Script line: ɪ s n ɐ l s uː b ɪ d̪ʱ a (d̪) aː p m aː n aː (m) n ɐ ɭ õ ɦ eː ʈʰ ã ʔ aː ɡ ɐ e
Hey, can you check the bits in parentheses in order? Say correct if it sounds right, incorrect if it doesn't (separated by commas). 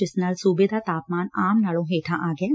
incorrect, correct